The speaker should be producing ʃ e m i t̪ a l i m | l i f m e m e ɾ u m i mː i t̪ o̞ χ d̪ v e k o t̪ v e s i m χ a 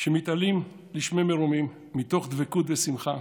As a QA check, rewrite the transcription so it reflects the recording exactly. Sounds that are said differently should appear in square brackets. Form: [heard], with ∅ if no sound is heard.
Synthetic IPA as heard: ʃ e m i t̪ a l i m | l i [ʃ] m e m e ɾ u m i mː i t̪ o̞ χ d̪ v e k [u] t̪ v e s i m χ a